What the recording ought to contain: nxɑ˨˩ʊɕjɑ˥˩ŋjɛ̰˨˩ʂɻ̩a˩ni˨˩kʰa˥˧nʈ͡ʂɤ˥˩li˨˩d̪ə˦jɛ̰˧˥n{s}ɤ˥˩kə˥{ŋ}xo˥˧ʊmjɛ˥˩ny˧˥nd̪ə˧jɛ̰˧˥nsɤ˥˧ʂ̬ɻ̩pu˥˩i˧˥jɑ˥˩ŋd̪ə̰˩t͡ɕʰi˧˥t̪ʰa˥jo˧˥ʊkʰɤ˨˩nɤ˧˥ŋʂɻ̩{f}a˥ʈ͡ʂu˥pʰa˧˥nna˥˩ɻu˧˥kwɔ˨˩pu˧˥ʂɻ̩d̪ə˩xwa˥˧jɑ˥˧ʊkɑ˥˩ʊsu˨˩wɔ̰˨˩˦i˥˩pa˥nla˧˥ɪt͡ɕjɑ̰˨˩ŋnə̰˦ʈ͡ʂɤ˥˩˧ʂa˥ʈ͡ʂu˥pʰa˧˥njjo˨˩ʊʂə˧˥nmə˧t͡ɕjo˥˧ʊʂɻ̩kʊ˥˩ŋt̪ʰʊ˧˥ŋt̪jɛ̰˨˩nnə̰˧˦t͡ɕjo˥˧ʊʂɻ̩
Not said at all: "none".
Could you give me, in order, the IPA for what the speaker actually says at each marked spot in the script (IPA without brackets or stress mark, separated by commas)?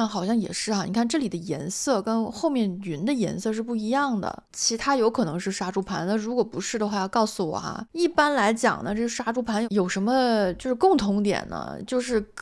s, n, ʂ